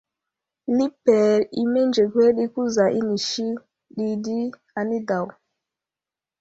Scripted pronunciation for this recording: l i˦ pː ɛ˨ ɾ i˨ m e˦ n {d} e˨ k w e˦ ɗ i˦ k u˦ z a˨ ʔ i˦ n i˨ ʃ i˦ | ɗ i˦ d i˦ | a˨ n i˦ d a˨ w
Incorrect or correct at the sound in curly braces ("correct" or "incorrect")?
incorrect